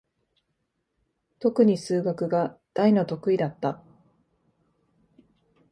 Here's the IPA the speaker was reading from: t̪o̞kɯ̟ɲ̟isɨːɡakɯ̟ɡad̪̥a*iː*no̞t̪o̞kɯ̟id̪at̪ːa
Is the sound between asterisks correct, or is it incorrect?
incorrect